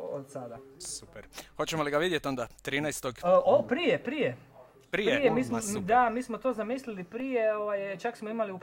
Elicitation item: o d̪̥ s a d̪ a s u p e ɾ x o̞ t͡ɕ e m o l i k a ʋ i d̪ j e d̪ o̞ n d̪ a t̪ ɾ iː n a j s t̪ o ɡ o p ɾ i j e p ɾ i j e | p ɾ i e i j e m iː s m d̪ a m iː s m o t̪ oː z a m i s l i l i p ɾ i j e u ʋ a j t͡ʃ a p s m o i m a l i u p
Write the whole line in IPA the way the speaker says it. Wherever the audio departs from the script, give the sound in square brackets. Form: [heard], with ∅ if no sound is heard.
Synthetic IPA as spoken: o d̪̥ s a d̪ a s u p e ɾ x o̞ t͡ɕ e m o l i [ɡ] a ʋ i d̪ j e [t̪] o̞ n d̪ a t̪ ɾ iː n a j s t̪ o ɡ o p ɾ i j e p ɾ i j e | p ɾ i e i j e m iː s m d̪ a m iː s m o t̪ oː z a m i s l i l i p ɾ i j e [o] ʋ a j t͡ʃ a [k] s m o i m a l i u p